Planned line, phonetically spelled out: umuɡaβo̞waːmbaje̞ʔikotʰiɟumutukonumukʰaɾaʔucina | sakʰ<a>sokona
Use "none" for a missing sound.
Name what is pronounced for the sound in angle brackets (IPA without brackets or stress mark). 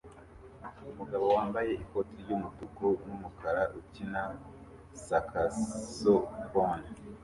a